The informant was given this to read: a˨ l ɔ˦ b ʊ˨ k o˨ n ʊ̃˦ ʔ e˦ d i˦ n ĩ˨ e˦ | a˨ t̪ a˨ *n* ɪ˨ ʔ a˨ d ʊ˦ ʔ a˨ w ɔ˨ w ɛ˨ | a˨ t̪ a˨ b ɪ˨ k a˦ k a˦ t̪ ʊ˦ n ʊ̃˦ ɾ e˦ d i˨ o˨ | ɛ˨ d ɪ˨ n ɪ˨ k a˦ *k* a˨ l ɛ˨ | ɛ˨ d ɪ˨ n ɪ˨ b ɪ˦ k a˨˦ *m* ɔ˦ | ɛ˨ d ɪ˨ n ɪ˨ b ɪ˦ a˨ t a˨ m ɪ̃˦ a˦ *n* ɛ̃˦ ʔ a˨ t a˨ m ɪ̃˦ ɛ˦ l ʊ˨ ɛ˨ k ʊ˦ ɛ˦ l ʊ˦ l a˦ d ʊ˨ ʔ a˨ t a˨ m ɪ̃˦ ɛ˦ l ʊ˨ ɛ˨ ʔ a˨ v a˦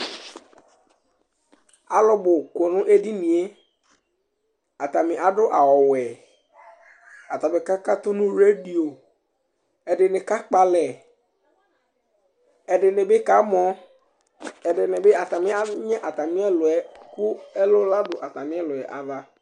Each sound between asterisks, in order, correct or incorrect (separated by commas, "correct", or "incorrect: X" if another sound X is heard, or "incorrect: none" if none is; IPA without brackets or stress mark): incorrect: m, incorrect: k͡p, correct, incorrect: ɲ